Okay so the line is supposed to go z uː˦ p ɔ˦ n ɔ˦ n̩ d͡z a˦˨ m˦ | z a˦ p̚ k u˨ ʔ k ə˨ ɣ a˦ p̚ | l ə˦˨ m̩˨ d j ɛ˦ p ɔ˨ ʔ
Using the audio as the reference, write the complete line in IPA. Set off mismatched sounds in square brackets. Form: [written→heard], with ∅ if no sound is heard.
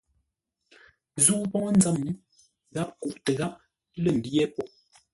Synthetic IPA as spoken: z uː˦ p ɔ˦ [n→ŋ] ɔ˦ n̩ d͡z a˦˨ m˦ | [z→ɣ] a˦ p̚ k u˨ ʔ [k→t] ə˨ ɣ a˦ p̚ | l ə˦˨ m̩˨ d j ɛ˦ p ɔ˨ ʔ